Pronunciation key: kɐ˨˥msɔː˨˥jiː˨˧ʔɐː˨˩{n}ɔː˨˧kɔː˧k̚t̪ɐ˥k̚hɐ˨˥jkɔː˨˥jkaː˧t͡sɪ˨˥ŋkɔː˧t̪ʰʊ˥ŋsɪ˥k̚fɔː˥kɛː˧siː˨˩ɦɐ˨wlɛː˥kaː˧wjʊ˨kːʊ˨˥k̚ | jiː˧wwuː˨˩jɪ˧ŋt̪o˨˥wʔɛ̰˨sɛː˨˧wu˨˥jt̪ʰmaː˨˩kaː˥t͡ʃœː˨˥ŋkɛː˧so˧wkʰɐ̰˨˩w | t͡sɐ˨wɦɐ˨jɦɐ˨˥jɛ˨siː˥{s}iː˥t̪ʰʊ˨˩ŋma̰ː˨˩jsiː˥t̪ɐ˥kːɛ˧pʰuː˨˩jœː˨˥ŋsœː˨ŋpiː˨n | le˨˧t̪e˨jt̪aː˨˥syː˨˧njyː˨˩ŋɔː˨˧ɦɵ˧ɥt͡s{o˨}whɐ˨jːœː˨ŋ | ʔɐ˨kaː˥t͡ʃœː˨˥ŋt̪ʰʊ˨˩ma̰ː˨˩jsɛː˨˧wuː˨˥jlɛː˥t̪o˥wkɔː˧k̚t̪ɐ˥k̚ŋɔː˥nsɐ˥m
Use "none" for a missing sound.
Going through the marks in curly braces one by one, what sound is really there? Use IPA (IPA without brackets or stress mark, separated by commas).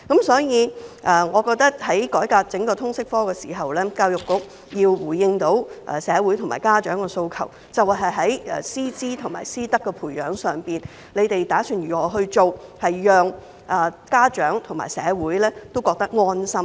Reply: ŋ, t͡s, o˨